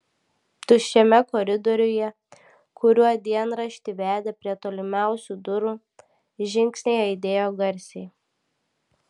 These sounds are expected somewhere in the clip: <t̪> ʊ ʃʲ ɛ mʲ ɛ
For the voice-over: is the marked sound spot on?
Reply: yes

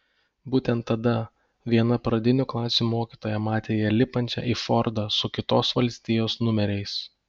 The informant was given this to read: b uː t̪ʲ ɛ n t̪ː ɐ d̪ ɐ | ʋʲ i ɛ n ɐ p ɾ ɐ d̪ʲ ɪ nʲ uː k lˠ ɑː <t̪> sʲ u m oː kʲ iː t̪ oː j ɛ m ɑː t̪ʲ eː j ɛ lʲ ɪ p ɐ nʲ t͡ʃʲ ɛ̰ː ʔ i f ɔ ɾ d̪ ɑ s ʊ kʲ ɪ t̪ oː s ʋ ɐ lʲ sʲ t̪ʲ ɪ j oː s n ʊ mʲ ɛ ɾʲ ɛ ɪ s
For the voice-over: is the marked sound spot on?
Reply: no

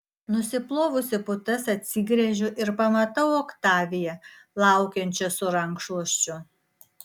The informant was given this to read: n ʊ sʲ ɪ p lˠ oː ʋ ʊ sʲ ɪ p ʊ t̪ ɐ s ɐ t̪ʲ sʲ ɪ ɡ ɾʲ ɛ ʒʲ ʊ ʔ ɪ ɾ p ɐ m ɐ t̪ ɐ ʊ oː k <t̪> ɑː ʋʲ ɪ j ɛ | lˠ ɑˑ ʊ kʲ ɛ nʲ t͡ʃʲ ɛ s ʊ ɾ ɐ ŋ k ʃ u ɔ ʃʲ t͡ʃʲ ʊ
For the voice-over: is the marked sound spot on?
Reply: yes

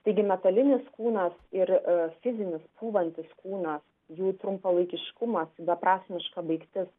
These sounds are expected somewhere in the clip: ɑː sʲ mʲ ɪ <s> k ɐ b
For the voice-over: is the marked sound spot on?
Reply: no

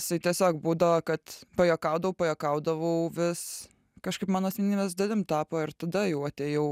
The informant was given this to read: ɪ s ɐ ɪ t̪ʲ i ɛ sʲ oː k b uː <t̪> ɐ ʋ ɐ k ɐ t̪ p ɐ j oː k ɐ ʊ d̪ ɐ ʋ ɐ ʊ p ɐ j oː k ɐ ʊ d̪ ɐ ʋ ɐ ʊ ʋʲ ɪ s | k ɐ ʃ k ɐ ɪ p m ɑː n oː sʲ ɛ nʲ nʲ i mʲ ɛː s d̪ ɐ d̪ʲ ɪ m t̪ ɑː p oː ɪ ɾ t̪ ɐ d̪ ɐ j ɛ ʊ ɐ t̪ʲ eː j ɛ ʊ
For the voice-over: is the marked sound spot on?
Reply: no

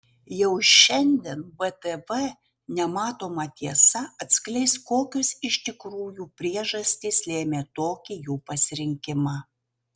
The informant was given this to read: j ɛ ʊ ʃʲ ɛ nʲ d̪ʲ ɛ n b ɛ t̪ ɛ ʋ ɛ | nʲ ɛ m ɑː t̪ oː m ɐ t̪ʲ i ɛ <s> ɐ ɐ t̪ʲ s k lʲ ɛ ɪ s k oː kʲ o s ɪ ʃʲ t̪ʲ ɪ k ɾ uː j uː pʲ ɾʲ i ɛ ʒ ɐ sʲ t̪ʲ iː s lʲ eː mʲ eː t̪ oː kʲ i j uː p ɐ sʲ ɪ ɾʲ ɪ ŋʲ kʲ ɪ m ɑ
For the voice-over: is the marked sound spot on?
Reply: yes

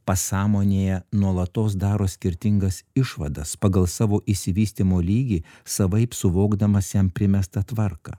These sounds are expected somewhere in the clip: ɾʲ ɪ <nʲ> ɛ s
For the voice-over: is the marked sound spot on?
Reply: no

